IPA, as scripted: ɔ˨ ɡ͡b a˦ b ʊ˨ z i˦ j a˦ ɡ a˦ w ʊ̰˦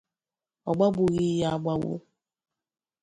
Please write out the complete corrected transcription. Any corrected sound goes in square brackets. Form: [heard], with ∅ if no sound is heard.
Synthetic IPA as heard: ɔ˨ ɡ͡b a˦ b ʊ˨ [ɣ] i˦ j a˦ [ɡ͡b] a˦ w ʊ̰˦